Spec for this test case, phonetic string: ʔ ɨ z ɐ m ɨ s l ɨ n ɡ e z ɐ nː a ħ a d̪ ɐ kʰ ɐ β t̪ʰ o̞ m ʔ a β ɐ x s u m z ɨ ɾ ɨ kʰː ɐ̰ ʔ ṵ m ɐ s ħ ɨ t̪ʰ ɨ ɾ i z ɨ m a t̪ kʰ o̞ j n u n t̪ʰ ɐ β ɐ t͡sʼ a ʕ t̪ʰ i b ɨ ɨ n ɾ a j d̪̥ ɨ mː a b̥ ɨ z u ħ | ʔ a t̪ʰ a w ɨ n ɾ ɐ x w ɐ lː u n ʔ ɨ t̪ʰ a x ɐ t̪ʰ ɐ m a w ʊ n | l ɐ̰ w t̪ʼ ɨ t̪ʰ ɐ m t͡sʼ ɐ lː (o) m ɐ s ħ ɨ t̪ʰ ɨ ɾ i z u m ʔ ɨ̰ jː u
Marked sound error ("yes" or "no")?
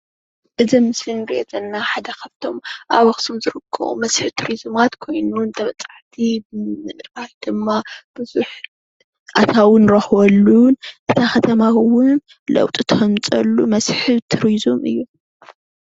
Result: yes